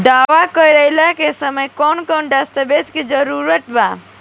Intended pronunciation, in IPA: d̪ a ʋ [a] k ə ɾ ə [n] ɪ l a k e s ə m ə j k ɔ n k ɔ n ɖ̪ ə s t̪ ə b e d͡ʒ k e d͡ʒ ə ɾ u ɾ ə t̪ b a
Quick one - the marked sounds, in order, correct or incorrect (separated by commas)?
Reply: correct, incorrect